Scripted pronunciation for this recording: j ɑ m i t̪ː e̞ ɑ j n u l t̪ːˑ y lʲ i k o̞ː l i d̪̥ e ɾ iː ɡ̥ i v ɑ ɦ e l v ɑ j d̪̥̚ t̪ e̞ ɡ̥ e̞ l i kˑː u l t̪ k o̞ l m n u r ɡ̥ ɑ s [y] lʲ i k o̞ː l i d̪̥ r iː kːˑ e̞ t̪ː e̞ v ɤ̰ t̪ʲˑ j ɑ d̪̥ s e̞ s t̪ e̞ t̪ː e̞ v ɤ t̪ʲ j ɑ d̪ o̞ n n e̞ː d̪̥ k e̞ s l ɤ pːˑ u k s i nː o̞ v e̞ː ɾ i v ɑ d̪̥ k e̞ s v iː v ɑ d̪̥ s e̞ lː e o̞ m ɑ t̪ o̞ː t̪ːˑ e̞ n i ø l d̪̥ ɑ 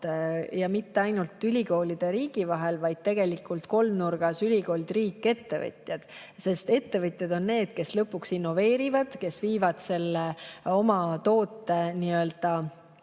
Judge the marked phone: correct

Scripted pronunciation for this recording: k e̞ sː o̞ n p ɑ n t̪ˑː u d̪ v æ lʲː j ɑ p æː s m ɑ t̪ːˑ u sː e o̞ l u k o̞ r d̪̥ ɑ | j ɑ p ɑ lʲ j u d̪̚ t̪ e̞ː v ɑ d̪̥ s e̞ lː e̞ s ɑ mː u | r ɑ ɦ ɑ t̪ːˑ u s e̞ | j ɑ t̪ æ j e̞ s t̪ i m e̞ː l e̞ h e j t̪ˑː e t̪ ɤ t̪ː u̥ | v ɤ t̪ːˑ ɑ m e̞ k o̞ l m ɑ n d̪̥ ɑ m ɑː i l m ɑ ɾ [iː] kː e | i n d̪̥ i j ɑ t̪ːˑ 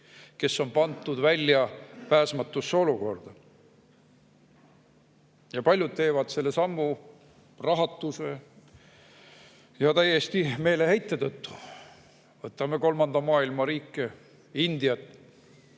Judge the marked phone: correct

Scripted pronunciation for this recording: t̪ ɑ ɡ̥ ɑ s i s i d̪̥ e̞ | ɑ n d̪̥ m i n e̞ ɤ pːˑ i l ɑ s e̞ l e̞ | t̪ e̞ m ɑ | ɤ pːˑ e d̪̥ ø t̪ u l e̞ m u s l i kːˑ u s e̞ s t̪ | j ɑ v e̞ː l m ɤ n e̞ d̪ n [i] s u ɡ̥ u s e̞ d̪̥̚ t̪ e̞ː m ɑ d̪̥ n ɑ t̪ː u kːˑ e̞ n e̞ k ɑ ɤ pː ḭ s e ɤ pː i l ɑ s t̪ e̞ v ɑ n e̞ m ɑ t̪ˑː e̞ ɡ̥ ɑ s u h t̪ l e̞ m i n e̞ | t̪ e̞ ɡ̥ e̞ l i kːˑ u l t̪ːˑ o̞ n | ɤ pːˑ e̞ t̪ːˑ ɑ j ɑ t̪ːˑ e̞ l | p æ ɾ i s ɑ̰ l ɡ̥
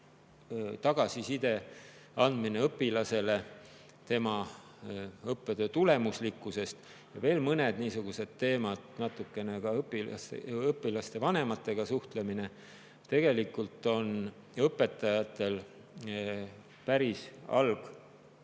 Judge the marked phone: incorrect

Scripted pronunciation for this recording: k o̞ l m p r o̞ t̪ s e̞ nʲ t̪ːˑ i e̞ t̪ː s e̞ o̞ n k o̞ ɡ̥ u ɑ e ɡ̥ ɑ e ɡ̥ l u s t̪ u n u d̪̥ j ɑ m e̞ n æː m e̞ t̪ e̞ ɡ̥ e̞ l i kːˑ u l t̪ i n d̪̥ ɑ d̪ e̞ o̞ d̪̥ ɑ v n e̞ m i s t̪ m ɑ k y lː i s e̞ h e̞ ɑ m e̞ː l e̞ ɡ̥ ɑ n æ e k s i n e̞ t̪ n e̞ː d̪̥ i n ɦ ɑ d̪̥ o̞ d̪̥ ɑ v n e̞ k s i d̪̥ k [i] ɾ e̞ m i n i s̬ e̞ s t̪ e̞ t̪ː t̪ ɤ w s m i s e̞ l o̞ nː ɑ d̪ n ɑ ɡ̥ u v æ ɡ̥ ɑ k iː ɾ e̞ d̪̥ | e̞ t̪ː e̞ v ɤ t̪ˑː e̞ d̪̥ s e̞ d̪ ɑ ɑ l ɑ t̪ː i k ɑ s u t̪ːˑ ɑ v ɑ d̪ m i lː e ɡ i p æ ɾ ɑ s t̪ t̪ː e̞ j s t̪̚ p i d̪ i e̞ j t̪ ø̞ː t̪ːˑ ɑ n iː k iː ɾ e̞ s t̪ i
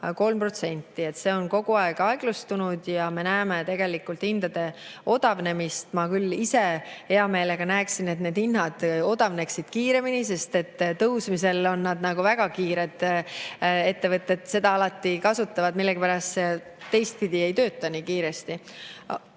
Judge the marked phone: incorrect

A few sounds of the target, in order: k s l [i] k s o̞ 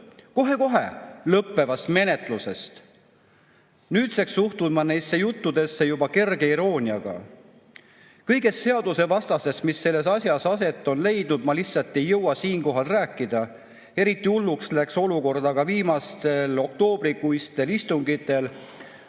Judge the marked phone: incorrect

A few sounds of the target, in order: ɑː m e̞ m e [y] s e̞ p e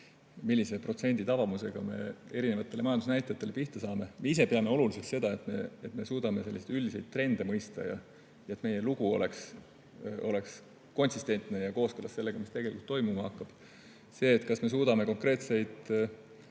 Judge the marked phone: incorrect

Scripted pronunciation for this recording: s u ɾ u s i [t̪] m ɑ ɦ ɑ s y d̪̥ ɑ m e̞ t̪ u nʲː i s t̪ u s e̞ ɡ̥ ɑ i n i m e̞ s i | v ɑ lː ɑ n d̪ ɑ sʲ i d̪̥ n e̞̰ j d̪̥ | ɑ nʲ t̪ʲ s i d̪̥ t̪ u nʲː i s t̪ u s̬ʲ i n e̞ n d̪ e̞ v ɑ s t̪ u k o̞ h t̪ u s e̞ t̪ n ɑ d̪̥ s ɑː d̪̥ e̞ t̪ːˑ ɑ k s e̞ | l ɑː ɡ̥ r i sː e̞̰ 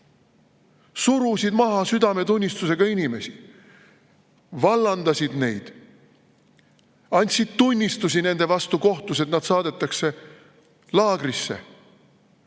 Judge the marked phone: incorrect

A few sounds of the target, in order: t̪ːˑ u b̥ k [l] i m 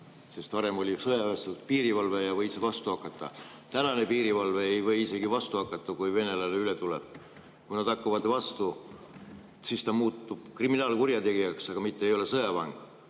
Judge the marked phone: incorrect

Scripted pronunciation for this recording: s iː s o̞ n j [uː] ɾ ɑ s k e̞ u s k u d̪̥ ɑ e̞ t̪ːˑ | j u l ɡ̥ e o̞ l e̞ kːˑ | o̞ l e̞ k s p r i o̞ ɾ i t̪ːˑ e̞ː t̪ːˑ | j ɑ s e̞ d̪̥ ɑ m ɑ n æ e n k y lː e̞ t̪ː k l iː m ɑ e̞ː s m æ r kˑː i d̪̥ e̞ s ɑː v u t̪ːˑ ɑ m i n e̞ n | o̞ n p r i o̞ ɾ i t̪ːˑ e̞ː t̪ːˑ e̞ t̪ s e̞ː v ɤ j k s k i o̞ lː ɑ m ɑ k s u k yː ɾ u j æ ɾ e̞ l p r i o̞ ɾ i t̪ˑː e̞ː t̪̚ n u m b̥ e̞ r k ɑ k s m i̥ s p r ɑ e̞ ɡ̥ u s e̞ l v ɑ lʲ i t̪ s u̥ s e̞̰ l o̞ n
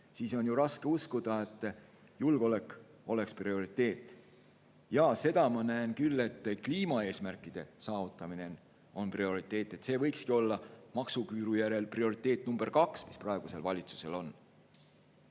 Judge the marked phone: incorrect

